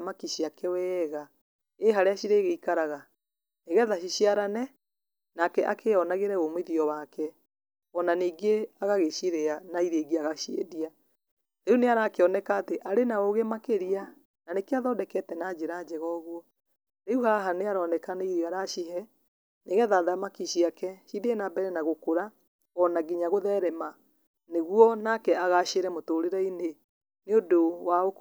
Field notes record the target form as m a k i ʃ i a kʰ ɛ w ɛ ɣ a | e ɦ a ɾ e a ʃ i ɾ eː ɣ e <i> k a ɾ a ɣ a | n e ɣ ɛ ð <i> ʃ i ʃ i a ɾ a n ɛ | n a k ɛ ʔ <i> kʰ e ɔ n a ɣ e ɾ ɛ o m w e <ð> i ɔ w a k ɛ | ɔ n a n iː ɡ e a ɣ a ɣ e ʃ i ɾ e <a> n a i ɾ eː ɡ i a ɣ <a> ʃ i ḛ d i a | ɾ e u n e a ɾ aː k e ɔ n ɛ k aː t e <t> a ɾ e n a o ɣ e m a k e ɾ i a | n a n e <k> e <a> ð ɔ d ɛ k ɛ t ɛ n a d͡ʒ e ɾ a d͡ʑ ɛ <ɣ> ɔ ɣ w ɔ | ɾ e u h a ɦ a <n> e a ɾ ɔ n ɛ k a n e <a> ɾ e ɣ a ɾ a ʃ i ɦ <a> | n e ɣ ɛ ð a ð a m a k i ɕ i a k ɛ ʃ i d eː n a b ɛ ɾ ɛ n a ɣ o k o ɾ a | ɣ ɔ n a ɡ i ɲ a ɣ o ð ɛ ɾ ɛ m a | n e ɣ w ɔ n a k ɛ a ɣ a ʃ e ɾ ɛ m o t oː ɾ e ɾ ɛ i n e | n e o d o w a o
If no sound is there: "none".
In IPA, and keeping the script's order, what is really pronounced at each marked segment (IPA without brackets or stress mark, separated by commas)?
i, a, a, ð, a, a, ʔ, k, a, ɣ, n, i, ɛ